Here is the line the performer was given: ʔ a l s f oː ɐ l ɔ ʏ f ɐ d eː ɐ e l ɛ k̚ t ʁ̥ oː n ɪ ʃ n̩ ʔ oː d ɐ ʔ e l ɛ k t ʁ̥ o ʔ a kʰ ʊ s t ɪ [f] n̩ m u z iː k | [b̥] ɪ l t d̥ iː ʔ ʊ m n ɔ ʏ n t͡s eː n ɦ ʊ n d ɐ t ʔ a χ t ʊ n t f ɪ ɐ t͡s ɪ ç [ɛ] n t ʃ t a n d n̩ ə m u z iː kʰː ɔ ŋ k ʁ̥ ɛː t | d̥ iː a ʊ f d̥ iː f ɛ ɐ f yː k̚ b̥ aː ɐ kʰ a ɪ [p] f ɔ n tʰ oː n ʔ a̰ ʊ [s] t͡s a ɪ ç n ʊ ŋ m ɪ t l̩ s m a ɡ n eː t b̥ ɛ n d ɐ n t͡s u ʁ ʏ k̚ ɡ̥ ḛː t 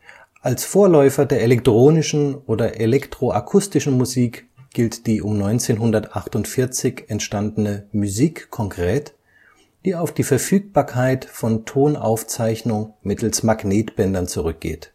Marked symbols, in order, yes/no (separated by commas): no, no, yes, no, no